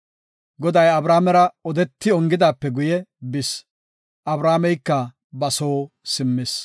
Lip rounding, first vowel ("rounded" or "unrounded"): rounded